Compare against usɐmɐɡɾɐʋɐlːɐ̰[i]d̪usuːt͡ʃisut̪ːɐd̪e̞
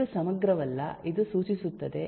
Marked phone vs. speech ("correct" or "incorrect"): correct